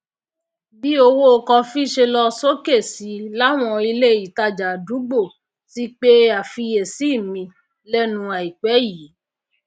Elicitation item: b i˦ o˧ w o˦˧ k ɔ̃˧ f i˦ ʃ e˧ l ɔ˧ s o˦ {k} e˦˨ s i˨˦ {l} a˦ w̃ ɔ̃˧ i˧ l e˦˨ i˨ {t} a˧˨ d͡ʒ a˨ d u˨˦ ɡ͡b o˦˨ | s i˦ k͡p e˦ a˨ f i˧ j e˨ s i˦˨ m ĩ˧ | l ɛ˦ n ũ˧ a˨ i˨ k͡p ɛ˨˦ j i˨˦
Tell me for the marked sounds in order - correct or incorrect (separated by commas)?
correct, correct, correct